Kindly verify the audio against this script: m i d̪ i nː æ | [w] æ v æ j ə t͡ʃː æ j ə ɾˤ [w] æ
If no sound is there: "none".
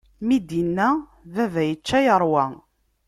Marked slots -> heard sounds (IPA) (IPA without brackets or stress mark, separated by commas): v, w